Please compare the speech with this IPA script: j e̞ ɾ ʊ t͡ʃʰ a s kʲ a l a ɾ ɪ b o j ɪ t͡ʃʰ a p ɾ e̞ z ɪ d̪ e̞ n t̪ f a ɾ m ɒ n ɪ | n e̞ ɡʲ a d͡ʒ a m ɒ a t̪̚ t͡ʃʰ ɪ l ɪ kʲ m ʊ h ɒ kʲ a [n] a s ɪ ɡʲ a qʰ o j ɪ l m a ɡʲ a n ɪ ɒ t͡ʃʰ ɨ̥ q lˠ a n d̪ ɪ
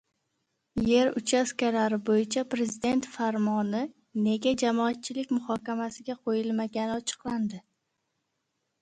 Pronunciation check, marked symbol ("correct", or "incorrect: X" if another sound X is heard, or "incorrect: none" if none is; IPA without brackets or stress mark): incorrect: m